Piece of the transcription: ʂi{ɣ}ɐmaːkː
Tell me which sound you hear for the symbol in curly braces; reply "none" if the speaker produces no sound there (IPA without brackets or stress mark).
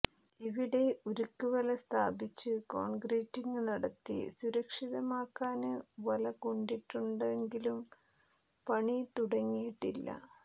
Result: ð